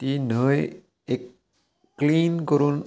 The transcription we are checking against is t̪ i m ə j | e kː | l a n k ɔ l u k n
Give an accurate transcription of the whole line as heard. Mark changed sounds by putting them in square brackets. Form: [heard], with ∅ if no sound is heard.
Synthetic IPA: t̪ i [n] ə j | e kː | l [i] n k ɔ [ɾ] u [∅] n